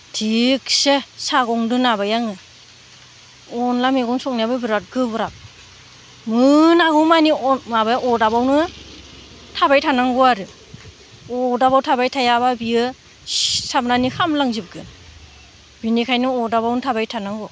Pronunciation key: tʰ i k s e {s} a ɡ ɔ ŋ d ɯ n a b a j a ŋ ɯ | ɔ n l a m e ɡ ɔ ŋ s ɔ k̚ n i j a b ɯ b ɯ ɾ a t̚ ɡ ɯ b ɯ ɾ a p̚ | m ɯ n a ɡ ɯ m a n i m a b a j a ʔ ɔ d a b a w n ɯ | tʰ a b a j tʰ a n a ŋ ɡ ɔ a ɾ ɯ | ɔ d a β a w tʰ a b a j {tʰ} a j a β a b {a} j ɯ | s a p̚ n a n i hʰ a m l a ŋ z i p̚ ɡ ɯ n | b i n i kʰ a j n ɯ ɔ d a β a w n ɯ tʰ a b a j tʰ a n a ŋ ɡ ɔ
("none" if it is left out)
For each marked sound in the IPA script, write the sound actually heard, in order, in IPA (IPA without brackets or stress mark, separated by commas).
s, tʰ, i